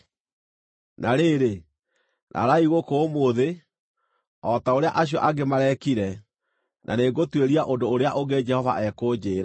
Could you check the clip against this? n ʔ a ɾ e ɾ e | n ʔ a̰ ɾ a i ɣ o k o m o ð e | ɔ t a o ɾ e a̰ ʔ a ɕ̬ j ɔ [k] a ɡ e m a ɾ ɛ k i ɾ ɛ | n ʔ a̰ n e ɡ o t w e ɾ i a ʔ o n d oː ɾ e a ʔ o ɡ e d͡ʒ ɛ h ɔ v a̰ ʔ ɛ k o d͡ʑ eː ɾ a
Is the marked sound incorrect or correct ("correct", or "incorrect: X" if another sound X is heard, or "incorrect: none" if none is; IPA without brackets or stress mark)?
incorrect: ʔ